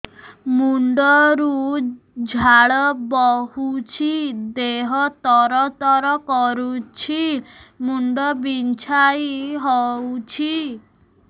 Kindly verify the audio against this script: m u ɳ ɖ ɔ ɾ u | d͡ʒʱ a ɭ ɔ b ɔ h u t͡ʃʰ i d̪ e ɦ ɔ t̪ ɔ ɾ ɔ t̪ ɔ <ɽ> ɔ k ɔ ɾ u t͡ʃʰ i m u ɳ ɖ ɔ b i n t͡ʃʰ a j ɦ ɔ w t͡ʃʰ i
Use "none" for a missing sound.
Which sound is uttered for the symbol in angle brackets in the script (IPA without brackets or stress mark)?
ɾ